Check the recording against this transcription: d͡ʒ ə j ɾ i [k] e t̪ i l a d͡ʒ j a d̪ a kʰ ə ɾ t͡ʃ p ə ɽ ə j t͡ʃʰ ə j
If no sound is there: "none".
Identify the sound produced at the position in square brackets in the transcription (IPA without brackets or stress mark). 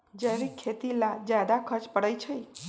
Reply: kʰ